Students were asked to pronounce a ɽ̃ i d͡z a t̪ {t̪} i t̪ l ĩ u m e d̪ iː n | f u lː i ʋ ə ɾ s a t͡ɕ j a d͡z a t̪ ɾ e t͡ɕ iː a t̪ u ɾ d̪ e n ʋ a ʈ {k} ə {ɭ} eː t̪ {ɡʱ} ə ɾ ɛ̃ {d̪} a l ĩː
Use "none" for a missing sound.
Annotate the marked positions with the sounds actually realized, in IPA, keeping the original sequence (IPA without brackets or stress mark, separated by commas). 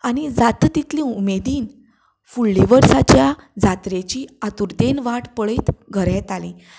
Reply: t̪, p, ɭ, ɡʱ, t̪